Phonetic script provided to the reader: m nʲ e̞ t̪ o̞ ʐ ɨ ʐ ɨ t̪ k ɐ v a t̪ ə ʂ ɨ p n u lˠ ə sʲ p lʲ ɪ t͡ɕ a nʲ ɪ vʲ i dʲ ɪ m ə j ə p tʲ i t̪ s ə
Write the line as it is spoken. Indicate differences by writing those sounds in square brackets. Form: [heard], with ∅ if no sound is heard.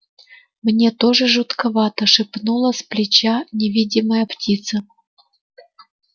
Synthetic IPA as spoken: m nʲ e̞ t̪ o̞ ʐ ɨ ʐ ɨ t̪ k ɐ v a t̪ ə ʂ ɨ p n u lˠ ə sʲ p lʲ ɪ t͡ɕ a nʲ ɪ vʲ i dʲ ɪ m ə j ə p tʲ i t̪ s ə

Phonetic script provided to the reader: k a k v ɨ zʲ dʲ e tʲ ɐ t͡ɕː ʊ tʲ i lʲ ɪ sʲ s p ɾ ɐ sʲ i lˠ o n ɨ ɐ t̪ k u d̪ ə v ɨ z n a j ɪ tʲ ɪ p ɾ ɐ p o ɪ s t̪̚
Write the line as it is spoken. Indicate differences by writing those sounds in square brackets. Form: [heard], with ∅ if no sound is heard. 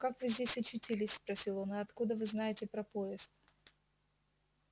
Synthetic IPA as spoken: k a k v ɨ zʲ dʲ e [sʲ] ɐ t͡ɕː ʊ tʲ i lʲ ɪ sʲ s p ɾ ɐ sʲ i lˠ o n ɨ ɐ t̪ k u d̪ ə v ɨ z n a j ɪ tʲ ɪ p ɾ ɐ p o ɪ s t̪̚

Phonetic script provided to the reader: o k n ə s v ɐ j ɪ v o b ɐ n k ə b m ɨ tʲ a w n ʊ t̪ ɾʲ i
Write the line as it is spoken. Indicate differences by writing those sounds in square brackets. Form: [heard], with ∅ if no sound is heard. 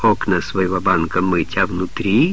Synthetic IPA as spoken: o k n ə s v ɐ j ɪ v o b [a] n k ə [∅] m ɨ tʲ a [v] n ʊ t̪ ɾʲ i

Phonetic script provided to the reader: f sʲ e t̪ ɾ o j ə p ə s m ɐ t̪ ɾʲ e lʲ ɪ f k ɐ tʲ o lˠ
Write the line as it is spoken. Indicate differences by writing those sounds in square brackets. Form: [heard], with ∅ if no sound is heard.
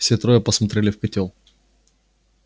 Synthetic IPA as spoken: f sʲ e t̪ ɾ o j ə p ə s m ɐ t̪ ɾʲ e lʲ ɪ f k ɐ tʲ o lˠ

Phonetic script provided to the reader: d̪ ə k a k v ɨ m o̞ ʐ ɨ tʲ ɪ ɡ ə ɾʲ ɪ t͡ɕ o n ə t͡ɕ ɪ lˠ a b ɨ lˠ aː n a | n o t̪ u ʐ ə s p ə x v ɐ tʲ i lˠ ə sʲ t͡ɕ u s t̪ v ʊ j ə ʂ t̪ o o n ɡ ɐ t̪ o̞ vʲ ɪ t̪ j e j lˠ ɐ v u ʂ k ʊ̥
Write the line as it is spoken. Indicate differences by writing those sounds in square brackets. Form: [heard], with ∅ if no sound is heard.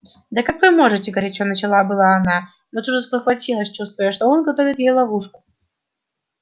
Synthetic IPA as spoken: d̪ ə k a k v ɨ m o̞ ʐ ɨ tʲ ɪ ɡ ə ɾʲ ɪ t͡ɕ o n ə t͡ɕ ɪ lˠ a b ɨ lˠ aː n a | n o t̪ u ʐ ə s p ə x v ɐ tʲ i lˠ ə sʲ t͡ɕ u s t̪ v ʊ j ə ʂ t̪ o o n ɡ ɐ t̪ o̞ vʲ ɪ t̪ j e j lˠ ɐ v u ʂ k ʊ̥

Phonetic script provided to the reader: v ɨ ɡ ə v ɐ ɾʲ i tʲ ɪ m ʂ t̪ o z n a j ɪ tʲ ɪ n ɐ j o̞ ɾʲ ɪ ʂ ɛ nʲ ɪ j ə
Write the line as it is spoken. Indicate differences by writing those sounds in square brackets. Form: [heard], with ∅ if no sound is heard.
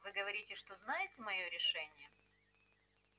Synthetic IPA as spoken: v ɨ ɡ ə v ɐ ɾʲ i tʲ ɪ [∅] ʂ t̪ o z n a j ɪ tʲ ɪ [m] ɐ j o̞ ɾʲ ɪ ʂ ɛ nʲ ɪ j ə

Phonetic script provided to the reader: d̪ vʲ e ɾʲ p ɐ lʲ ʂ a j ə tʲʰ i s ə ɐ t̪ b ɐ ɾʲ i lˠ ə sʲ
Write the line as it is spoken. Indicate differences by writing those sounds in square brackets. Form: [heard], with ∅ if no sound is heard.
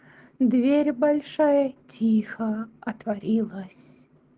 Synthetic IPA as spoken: d̪ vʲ e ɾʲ [b] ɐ lʲ ʂ a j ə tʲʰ i [x] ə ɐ t̪ [v] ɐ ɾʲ i lˠ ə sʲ

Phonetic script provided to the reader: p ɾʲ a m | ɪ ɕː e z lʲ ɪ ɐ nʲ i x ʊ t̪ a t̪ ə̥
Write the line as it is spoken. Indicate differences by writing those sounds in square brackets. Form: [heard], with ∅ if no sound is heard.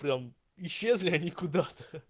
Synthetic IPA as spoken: p ɾʲ a m | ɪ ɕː e z lʲ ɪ ɐ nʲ i [k] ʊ [d̪] a t̪ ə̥

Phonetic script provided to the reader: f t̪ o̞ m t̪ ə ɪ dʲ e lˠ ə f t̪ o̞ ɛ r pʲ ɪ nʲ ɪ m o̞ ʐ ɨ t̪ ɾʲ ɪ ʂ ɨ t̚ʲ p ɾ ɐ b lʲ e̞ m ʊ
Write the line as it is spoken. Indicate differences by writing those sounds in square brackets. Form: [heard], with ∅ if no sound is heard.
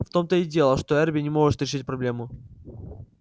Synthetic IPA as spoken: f t̪ o̞ m t̪ ə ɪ dʲ e lˠ ə [ʂ] t̪ o̞ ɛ r [bʲ] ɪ nʲ ɪ m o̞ ʐ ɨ t̪ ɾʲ ɪ ʂ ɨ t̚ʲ p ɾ ɐ b lʲ e̞ m ʊ

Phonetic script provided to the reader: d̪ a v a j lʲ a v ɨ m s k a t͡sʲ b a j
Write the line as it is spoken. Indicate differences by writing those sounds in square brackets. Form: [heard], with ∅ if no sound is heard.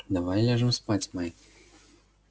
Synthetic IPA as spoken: d̪ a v a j lʲ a [ʐ] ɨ m s [p] a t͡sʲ [m] a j

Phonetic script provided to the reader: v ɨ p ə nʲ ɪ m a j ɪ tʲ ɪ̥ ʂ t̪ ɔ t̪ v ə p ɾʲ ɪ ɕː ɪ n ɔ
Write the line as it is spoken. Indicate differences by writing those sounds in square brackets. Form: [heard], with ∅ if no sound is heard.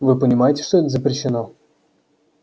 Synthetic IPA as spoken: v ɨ p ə nʲ ɪ m a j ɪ tʲ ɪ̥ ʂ t̪ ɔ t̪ [z] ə p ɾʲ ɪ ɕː ɪ n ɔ

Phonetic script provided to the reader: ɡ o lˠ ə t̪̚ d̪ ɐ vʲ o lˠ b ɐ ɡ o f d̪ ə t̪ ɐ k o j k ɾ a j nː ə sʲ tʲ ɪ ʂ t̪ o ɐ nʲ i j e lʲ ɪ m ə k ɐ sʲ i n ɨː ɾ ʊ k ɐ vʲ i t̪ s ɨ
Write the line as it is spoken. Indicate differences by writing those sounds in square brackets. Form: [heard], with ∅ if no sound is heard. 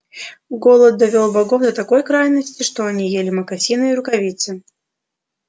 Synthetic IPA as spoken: ɡ o lˠ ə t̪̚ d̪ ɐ vʲ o lˠ b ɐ ɡ o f d̪ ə t̪ ɐ k o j k ɾ a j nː ə sʲ tʲ ɪ ʂ t̪ o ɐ nʲ i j e lʲ ɪ m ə k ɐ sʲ i n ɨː ɾ ʊ k ɐ vʲ i t̪ s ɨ

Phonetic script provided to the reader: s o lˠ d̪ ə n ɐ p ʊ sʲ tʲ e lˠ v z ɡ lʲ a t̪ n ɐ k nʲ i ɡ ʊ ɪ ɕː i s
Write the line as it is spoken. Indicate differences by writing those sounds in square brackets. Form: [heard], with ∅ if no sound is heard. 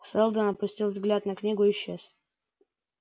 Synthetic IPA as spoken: s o lˠ d̪ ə n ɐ p ʊ sʲ tʲ [i] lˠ v z ɡ lʲ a t̪ n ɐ k nʲ i ɡ ʊ ɪ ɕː [e] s

